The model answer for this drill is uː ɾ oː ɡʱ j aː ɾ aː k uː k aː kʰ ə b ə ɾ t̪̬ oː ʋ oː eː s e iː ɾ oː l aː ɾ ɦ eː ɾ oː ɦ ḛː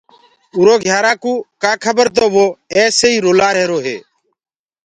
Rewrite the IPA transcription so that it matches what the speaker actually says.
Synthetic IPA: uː ɾ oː ɡʱ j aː ɾ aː k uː k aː kʰ ə b ə ɾ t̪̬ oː ʋ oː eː s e iː ɾ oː l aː ɾ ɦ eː ɾ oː ɦ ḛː

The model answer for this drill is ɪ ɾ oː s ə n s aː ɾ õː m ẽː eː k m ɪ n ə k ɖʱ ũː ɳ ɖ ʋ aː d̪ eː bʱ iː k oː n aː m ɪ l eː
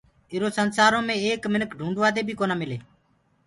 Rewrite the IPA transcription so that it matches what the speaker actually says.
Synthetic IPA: ɪ ɾ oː s ə n s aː ɾ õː m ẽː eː k m ɪ n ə k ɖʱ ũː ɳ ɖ ʋ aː d̪ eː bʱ iː k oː n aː m ɪ l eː

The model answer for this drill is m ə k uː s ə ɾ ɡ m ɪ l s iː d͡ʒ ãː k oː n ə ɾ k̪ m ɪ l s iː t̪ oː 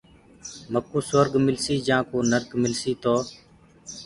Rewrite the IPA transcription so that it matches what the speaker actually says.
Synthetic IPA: m ə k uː s ə ɾ ɡ m ɪ l s iː d͡ʒ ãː k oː n ə ɾ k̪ m ɪ l s iː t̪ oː

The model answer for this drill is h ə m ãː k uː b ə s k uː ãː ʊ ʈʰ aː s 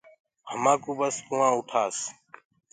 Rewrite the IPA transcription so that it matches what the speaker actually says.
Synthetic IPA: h ə m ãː k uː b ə s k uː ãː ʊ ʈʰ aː s

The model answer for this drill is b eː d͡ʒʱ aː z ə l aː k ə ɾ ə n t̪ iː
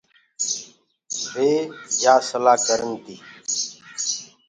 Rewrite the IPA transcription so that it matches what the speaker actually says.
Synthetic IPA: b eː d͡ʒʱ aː s ə l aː k ə ɾ ə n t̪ iː

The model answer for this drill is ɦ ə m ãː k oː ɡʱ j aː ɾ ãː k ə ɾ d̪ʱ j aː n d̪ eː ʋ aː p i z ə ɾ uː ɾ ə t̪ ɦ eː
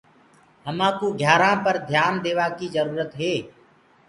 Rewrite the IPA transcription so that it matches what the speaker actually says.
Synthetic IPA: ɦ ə m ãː k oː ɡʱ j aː ɾ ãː p ə ɾ d̪ʱ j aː n d̪ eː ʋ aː k i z ə ɾ uː ɾ ə t̪ ɦ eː

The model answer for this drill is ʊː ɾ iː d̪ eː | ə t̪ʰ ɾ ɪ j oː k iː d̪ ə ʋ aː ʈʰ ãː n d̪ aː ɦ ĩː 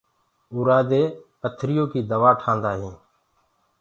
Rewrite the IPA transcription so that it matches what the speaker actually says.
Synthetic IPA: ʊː ɾ aː d̪ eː | ə t̪ʰ ɾ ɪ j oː k iː d̪ ə ʋ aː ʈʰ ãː n d̪ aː ɦ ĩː

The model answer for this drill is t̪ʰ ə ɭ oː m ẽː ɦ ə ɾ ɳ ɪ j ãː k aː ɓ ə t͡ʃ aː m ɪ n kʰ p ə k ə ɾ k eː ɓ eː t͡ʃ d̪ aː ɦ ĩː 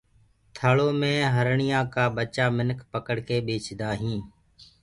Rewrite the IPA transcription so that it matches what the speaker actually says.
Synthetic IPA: t̪ʰ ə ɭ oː m ẽː ɦ ə ɾ ɳ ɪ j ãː k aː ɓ ə t͡ʃ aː m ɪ n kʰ p ə k ə ɽ k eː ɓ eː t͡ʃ d̪ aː ɦ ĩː

